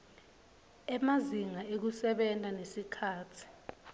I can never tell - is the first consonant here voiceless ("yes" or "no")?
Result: no